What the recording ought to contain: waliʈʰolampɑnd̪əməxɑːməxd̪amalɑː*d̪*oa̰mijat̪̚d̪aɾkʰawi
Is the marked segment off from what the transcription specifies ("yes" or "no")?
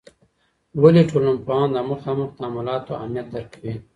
yes